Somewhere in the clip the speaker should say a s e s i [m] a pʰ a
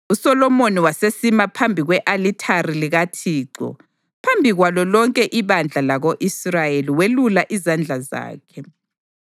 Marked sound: correct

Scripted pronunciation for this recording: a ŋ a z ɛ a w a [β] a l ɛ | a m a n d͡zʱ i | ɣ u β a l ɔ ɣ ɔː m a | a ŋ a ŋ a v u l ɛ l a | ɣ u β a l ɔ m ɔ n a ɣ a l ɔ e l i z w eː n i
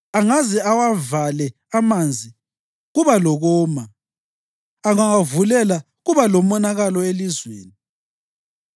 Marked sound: incorrect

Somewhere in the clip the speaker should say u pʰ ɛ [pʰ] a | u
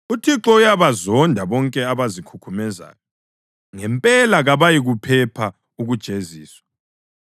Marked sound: correct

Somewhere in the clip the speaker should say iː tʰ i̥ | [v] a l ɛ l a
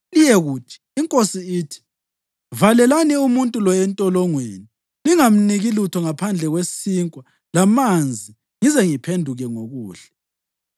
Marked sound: correct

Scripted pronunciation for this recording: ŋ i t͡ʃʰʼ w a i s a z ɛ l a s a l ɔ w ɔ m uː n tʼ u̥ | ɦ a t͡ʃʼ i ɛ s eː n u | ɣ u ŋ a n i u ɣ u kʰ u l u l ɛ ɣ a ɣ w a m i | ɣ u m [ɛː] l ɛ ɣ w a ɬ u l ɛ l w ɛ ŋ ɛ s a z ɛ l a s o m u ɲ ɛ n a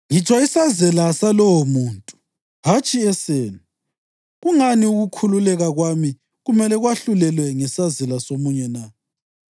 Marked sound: incorrect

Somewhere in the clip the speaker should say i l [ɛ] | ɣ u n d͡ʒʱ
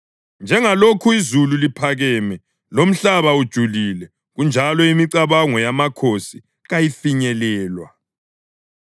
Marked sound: correct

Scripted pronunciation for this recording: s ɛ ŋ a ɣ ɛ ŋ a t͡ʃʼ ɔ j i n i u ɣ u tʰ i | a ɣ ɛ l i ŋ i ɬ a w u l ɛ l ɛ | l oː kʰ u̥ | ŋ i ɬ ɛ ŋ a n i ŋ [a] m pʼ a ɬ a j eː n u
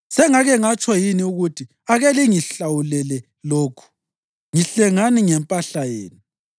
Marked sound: incorrect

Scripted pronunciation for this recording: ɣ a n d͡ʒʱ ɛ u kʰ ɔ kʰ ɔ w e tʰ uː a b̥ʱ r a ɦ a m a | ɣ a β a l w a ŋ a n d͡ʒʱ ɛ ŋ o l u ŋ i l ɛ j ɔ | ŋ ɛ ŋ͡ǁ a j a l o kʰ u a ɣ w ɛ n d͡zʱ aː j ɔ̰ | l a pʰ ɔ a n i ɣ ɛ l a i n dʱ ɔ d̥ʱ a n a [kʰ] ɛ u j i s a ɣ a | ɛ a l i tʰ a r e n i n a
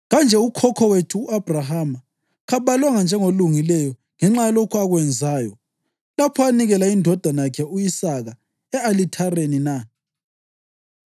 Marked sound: correct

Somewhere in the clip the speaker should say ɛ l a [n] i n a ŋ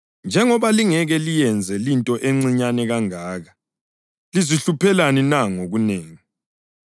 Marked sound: correct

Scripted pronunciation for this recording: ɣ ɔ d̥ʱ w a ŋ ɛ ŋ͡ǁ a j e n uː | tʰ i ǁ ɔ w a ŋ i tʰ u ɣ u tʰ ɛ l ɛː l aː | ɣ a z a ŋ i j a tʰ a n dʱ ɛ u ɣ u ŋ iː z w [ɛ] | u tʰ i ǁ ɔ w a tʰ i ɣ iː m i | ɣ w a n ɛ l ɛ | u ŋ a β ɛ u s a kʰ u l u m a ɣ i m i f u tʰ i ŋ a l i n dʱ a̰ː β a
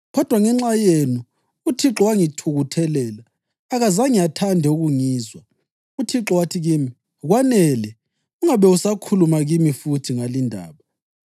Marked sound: incorrect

